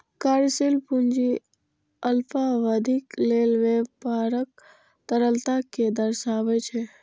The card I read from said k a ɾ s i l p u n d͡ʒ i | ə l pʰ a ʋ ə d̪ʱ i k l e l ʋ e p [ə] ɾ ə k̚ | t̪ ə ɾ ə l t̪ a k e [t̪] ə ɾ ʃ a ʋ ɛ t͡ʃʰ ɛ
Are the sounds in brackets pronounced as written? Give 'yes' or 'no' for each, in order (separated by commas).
no, no